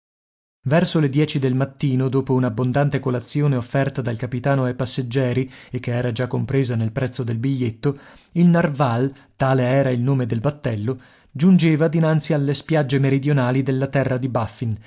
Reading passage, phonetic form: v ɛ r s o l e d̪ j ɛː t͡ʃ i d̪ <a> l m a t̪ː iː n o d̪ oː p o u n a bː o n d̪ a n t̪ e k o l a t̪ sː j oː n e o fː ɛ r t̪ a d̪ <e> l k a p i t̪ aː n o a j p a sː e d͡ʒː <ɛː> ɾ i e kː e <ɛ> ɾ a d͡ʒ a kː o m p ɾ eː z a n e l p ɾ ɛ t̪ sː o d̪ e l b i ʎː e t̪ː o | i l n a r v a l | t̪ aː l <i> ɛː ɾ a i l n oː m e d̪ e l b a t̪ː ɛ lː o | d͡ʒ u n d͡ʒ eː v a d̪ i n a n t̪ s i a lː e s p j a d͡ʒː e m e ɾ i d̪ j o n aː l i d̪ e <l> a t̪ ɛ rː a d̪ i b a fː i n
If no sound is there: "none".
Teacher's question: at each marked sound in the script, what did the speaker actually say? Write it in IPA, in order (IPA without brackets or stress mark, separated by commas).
e, a, ɛː, ɛː, e, lː